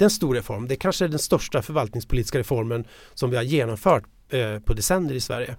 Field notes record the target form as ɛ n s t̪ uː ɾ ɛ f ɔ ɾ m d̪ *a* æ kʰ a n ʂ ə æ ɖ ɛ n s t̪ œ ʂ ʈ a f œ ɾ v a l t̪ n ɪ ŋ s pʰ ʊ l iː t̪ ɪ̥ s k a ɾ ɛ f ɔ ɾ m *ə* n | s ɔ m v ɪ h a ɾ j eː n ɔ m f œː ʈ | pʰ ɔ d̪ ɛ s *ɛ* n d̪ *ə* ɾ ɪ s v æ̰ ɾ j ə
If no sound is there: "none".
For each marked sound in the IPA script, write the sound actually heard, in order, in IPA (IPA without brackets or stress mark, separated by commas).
ɛ, ə, ɛ, ə